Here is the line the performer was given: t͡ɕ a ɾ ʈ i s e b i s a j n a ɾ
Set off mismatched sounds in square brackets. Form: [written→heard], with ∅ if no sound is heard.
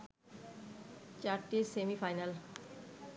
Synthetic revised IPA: t͡ɕ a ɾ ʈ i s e [b→m] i [s→f] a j n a [ɾ→l]